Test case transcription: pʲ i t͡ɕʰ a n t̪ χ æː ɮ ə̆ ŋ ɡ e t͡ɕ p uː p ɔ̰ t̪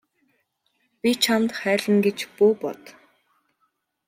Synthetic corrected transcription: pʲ i t͡ɕʰ a m t̪ χ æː ɮ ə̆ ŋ ɡ e t͡ɕ p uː p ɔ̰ t̪